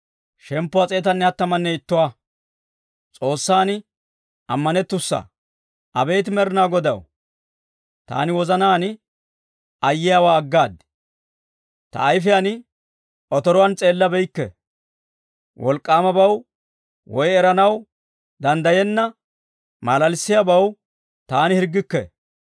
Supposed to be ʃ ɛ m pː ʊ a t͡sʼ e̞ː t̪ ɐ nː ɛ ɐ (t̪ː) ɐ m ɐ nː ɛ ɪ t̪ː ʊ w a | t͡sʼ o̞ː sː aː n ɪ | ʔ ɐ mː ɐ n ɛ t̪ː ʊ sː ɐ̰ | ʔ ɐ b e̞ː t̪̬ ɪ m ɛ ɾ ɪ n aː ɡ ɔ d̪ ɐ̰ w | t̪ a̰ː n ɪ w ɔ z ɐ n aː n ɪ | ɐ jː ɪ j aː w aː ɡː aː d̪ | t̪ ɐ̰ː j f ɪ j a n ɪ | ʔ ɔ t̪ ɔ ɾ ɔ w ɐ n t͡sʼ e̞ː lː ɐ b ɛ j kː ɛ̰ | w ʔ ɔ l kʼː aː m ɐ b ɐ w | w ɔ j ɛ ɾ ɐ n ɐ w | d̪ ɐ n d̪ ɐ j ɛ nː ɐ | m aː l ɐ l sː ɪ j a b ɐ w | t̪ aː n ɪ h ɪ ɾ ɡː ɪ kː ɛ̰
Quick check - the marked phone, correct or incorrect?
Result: correct